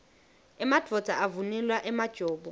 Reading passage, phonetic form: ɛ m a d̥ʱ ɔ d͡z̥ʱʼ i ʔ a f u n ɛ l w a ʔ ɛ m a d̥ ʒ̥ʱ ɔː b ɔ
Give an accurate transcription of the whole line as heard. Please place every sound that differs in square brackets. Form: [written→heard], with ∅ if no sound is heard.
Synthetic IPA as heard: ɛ m a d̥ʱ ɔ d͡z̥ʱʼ [i→a] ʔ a [f→v] u n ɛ l w a ʔ ɛ m a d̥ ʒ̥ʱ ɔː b ɔ